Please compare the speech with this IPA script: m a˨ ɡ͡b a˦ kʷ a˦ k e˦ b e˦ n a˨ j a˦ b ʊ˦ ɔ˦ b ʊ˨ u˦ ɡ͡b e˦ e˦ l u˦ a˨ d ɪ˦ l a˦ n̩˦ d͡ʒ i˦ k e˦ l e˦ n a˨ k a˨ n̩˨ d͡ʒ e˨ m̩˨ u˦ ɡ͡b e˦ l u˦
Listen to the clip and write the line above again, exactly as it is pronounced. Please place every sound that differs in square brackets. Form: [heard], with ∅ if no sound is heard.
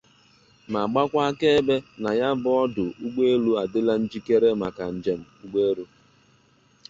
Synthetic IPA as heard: m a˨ ɡ͡b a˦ kʷ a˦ k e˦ b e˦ n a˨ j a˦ b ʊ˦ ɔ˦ [d] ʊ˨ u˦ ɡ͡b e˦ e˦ l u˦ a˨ d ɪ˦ l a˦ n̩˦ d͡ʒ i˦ k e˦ [ɾ] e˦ [m] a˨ k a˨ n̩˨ d͡ʒ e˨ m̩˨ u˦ ɡ͡b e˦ [ɾ] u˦